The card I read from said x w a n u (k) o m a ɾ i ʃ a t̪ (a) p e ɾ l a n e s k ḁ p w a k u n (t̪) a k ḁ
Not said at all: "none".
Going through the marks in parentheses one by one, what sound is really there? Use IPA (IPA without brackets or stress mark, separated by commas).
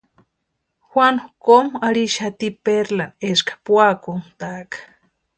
k, i, t̪